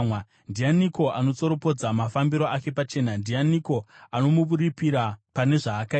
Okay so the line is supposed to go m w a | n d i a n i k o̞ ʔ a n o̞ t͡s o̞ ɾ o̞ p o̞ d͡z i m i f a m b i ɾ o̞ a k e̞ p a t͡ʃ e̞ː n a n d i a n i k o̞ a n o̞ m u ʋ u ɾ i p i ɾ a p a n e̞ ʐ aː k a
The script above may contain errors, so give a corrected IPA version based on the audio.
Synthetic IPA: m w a | n d i a n i k o̞ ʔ a n o̞ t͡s o̞ ɾ o̞ p o̞ d͡z a m a f a m b i ɾ o̞ a k e̞ p a t͡ʃ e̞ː n a n d i a n i k o̞ a n o̞ m u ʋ u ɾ i p i ɾ a p a n e̞ ʐ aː k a